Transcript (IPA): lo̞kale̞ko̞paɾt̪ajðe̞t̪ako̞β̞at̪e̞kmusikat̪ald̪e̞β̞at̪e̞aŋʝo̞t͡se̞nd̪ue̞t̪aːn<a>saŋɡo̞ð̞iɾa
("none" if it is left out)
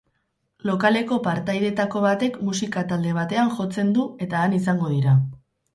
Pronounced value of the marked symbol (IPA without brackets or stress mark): i